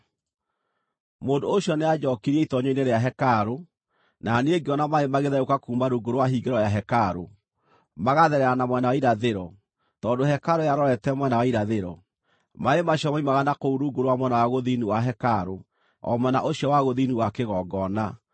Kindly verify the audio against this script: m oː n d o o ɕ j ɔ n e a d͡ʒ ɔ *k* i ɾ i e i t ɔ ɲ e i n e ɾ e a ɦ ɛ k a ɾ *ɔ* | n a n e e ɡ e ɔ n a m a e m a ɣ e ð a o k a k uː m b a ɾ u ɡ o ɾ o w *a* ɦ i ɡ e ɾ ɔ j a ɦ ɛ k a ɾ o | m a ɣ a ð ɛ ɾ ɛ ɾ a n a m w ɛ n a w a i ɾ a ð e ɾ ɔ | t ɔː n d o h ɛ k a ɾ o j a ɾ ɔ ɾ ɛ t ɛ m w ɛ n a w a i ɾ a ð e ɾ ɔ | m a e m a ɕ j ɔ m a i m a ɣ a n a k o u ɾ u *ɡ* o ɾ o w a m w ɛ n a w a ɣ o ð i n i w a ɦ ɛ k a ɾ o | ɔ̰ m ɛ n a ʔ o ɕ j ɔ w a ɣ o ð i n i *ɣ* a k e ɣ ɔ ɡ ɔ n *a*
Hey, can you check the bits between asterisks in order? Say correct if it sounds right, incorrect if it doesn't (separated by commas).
correct, incorrect, correct, correct, incorrect, correct